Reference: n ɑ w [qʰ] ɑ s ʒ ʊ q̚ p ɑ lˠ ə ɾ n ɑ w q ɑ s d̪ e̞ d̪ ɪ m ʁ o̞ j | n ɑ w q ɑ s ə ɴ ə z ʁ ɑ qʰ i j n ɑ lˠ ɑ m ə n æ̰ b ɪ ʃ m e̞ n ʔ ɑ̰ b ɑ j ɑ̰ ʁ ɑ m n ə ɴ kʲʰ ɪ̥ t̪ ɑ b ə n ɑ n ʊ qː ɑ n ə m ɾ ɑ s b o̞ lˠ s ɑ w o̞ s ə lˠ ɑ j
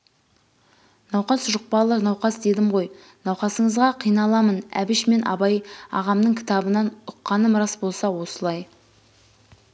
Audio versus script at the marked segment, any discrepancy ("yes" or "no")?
yes